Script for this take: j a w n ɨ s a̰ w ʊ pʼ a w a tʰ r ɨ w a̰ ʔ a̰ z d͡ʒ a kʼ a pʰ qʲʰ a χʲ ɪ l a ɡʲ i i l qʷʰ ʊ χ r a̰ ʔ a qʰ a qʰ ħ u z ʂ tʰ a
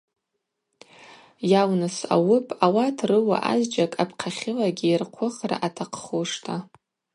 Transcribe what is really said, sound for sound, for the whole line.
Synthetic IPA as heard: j a w n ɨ s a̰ w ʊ pʼ a w a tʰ r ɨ w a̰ ʔ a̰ z d͡ʒ a kʼ a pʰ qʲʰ a χʲ ɪ l a ɡʲ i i r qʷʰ ʊ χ r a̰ ʔ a tʰ a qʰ χ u ʂ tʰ a